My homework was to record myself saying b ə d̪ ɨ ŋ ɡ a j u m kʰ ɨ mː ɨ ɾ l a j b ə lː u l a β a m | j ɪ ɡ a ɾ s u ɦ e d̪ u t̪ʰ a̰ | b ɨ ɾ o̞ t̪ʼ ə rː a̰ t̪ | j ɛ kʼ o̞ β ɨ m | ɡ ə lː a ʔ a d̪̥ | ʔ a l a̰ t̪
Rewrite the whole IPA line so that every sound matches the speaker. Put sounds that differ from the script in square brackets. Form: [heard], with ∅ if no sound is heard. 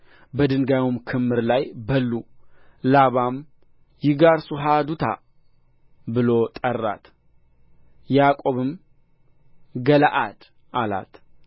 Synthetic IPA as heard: b ə d̪ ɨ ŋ ɡ a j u m kʰ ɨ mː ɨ ɾ l a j b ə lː u l a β a m | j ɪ ɡ a ɾ s u ɦ [a] d̪ u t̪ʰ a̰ | b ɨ [l] o̞ t̪ʼ ə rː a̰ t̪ | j [a] kʼ o̞ β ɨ m | ɡ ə [l] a ʔ a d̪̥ | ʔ a l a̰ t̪